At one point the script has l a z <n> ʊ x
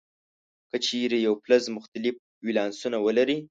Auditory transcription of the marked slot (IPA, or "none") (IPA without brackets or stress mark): m